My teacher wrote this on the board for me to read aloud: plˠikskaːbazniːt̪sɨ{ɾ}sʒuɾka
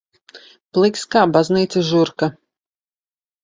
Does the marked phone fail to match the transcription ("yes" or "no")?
yes